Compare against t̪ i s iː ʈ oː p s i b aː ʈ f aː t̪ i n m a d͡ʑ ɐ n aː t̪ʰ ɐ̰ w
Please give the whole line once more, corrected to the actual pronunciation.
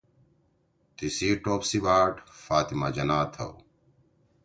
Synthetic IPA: t̪ i s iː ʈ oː p s i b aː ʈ f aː t̪ i m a d͡ʑ ɐ n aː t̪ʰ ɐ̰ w